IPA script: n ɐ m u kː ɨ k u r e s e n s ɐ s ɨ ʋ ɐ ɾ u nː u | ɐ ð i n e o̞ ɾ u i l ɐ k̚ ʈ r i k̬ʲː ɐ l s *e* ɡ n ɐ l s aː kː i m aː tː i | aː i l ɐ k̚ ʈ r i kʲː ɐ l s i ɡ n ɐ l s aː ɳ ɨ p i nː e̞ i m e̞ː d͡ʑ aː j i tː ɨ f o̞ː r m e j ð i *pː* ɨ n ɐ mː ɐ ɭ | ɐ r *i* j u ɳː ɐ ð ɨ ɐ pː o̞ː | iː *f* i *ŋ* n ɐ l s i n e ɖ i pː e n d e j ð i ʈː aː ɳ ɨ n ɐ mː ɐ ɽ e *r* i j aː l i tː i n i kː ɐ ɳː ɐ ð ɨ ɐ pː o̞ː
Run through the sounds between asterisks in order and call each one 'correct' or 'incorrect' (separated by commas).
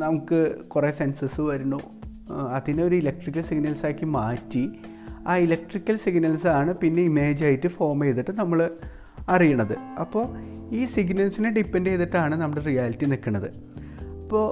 incorrect, incorrect, correct, incorrect, incorrect, correct